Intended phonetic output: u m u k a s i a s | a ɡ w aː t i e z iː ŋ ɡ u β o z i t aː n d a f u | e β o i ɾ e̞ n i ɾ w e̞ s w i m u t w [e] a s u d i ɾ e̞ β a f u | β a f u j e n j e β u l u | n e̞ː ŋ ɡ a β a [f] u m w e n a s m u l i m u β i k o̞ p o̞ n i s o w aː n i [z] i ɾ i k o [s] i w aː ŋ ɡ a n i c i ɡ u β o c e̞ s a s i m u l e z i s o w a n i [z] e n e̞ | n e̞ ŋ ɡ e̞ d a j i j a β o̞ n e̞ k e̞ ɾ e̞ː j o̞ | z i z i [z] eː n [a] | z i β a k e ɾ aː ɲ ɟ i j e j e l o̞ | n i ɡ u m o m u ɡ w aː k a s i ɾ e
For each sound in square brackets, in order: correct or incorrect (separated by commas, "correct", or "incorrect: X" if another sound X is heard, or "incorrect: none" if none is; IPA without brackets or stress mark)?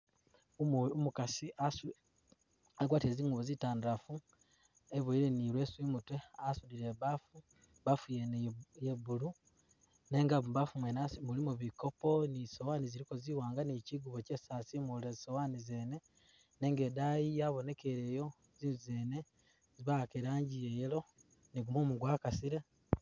correct, correct, correct, incorrect: z, correct, correct, incorrect: e